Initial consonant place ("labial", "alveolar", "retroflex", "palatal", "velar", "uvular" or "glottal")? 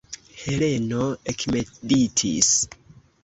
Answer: glottal